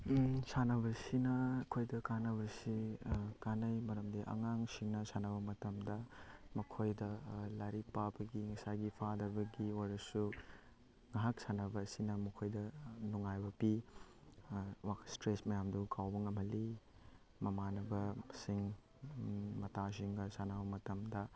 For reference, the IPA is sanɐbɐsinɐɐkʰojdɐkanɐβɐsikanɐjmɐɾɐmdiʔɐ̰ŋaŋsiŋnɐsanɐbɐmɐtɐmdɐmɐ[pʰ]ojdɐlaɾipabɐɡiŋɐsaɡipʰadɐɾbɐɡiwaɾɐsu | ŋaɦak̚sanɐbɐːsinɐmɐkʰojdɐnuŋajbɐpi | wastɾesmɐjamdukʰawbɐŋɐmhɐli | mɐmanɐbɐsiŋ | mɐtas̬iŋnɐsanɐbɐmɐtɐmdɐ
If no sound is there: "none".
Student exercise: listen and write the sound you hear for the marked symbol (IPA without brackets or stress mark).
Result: kʰ